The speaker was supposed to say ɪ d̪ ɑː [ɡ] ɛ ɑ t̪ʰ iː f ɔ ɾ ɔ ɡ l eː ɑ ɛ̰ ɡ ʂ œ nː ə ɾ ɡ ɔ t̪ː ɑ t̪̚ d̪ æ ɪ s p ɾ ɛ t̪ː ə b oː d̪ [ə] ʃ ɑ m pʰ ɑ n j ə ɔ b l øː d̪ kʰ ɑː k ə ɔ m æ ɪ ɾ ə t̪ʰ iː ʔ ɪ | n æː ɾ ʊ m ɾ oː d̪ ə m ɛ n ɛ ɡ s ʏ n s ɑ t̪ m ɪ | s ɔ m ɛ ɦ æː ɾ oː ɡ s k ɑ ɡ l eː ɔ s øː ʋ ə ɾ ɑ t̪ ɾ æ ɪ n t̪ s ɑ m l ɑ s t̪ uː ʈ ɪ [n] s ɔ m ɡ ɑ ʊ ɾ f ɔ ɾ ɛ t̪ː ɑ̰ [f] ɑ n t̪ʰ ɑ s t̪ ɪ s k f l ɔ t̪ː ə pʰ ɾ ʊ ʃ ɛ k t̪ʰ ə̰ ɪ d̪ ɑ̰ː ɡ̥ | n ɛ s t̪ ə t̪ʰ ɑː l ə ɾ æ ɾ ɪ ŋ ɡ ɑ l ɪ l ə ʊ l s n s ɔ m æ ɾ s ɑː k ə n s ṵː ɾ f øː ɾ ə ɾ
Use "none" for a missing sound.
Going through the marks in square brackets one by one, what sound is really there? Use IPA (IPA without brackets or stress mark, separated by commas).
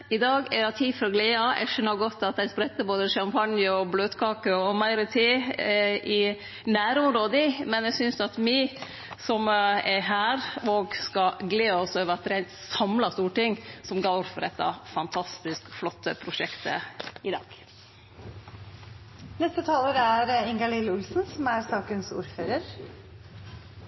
ɡ, ə, ŋ, f